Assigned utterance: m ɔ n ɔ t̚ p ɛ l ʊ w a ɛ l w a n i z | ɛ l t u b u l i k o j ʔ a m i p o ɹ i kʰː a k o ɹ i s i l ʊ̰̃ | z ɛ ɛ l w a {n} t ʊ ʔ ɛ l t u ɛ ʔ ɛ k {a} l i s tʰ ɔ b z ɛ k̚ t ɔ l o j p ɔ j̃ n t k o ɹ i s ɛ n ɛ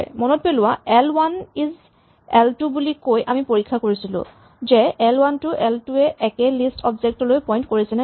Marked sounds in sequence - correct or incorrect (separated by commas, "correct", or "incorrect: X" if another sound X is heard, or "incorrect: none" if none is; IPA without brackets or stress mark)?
correct, incorrect: ɛ